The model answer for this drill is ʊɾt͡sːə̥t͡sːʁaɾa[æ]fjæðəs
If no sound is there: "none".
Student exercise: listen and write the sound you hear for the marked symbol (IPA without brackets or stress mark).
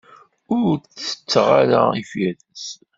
i